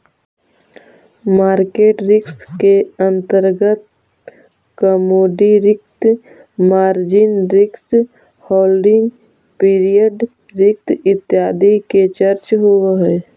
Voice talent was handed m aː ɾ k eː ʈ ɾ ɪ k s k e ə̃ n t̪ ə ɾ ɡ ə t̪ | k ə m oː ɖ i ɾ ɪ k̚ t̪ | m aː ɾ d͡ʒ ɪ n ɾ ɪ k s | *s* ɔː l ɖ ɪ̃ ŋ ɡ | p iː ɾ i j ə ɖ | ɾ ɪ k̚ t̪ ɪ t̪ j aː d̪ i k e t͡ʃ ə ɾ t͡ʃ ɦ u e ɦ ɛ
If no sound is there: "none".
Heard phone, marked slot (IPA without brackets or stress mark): h